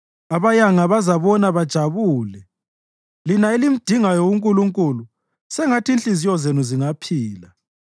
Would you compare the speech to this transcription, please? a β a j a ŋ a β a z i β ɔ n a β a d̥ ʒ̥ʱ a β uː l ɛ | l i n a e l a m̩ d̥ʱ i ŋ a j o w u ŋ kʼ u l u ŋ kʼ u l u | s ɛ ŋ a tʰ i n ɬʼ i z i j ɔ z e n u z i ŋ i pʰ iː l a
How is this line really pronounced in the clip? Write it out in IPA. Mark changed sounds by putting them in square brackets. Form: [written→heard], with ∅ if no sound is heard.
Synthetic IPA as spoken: a β a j a ŋ a β a z [i→a] β ɔ n a β a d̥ ʒ̥ʱ a β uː l ɛ | l i n a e l [a→i] m̩ d̥ʱ i ŋ a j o w u ŋ kʼ u l u ŋ kʼ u l u | s ɛ ŋ a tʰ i n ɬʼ i z i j ɔ z e n u z i ŋ [i→a] pʰ iː l a